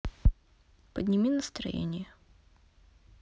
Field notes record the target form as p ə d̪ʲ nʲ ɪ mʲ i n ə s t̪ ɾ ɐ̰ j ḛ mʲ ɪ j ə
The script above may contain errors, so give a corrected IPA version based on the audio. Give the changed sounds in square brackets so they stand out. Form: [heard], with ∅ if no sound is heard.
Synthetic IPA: p ə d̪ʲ nʲ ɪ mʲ i n ə s t̪ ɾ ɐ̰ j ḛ [nʲ] ɪ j ə